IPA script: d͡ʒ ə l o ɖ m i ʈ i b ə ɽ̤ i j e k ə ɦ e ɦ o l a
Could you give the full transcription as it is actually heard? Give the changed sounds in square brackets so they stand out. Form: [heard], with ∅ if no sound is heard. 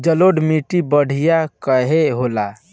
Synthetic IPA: d͡ʒ ə l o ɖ m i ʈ i b ə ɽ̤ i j [a] k ə ɦ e ɦ o l a